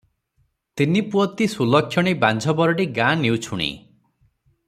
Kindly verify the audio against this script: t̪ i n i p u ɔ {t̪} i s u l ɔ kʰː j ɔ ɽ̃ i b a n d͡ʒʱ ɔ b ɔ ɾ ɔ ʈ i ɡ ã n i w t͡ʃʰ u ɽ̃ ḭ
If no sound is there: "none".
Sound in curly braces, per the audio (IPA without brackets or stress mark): t̪